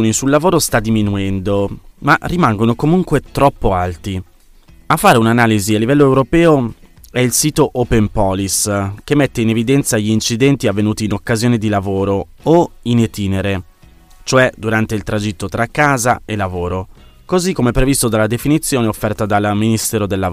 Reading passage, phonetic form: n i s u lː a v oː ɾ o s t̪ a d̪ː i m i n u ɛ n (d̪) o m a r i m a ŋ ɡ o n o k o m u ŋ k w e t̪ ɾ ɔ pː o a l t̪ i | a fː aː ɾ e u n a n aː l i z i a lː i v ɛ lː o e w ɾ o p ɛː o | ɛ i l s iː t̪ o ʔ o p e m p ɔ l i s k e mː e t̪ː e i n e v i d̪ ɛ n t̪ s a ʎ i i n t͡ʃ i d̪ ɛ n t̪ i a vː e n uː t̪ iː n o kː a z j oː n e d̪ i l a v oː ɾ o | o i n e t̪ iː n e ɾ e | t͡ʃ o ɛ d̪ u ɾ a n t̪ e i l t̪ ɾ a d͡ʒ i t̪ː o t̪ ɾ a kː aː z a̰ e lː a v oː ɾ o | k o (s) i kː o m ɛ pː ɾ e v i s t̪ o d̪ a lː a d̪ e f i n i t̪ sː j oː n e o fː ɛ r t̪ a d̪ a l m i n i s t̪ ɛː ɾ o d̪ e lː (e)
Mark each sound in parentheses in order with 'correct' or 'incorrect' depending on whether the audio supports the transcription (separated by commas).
correct, incorrect, incorrect